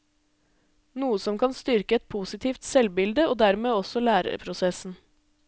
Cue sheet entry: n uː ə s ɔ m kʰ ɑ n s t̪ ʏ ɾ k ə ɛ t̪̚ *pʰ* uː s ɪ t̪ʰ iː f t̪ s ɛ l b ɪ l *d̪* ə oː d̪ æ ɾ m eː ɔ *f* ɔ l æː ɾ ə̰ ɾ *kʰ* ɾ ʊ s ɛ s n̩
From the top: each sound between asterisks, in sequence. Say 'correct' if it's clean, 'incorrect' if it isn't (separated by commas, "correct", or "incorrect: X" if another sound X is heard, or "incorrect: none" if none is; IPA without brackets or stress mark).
correct, correct, incorrect: s, incorrect: pʰ